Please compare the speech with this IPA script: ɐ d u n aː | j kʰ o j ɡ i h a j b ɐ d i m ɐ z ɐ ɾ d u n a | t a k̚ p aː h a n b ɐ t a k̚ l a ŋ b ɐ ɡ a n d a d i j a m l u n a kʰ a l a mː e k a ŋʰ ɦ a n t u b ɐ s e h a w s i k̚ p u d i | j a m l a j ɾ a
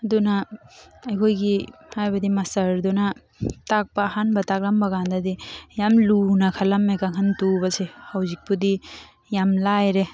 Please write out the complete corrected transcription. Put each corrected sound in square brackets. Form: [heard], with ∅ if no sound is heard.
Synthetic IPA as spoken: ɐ d u n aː | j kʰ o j ɡ i h a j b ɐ d i m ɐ [s] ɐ ɾ d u n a | t a k̚ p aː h a n b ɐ t a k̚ l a [m] b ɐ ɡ a n d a d i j a m l u n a kʰ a l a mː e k a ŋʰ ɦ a n t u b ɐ s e h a w [z] i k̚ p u d i | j a m l a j ɾ [e]